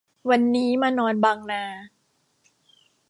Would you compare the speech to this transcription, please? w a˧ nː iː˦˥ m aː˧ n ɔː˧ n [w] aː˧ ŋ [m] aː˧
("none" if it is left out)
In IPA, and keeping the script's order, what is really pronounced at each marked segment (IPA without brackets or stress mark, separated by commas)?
b, n